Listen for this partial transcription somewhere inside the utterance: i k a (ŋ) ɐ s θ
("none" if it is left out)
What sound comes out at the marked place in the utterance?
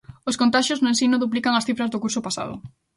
ŋ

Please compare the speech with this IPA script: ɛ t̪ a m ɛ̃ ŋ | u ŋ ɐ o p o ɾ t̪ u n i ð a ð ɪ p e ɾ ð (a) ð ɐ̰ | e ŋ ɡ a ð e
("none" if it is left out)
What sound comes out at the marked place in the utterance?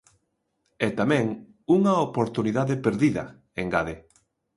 i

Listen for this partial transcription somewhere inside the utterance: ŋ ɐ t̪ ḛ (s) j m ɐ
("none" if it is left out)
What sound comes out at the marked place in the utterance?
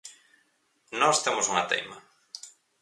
none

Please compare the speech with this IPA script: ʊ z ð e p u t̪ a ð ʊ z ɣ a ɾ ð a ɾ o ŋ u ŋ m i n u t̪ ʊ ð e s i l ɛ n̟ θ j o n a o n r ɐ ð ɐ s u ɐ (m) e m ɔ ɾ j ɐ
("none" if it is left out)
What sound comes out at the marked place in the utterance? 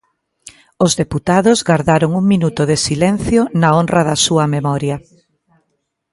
m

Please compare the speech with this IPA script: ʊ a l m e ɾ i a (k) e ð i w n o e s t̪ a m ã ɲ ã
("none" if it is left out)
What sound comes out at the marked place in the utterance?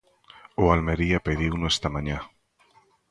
p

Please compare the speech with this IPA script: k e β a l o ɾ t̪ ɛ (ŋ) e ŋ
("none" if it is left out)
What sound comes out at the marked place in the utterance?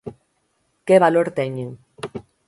ɲ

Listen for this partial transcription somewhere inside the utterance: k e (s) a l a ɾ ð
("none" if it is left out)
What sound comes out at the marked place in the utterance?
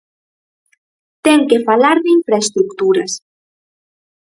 f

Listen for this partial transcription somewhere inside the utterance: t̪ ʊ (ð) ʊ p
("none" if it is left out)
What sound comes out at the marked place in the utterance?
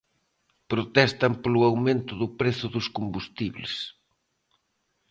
ð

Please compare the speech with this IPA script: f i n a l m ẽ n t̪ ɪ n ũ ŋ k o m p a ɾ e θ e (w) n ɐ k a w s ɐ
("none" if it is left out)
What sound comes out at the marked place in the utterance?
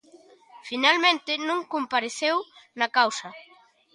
w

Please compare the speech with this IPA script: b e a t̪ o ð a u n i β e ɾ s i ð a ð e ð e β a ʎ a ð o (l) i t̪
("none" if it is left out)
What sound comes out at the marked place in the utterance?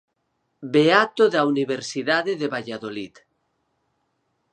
l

